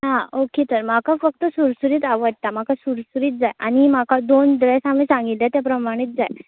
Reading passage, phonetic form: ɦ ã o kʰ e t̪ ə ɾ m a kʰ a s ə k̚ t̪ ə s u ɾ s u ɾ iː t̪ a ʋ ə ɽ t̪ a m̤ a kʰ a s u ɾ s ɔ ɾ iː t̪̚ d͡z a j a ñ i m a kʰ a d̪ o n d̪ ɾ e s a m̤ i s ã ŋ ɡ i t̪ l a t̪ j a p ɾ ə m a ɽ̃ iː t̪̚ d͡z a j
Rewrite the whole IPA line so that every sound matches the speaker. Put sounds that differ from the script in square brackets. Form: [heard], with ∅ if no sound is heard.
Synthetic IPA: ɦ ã o [k] e t̪ ə ɾ m a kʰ a [f] ə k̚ t̪ ə s u ɾ s u ɾ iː t̪ a ʋ ə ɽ t̪ a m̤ a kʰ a s u ɾ s [u] ɾ iː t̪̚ d͡z a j a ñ i m a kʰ a d̪ o n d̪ ɾ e s a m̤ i s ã ŋ ɡ i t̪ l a t̪ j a p ɾ ə m a ɽ̃ iː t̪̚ d͡z a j